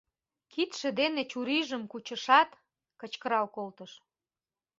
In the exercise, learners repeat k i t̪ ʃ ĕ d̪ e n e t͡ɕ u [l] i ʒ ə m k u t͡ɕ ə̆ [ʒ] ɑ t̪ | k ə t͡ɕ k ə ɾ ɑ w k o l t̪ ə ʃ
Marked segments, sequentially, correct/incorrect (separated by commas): incorrect, incorrect